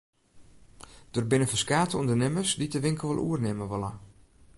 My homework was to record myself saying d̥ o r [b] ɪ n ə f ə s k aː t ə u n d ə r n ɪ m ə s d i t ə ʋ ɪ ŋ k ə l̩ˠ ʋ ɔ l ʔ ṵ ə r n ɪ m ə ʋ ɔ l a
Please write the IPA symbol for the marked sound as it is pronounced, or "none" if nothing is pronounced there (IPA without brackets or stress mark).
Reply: b